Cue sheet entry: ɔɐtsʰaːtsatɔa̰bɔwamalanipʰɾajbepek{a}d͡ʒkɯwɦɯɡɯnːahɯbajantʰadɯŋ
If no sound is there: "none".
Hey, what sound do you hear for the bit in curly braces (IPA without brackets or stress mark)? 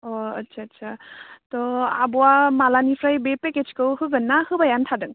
e